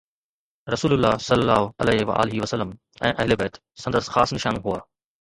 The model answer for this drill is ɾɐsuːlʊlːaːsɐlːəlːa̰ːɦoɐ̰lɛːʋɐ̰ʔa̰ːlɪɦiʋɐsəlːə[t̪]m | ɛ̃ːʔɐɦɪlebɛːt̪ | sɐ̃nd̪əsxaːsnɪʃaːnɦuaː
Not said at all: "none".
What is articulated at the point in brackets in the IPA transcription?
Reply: none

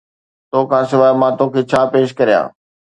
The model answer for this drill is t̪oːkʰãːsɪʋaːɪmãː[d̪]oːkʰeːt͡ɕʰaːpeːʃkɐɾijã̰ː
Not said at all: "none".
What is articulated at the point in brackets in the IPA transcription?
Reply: t̪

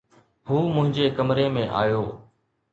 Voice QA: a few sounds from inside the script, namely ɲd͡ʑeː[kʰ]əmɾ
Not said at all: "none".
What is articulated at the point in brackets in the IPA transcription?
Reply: k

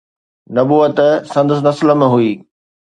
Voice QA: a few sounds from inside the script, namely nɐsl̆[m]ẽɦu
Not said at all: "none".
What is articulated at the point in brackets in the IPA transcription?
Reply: m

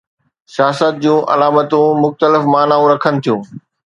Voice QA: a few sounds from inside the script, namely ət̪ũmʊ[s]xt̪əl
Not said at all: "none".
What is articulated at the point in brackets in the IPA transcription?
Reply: none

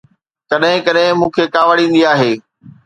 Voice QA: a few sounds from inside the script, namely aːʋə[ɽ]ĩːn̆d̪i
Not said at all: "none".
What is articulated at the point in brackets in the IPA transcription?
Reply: ɽ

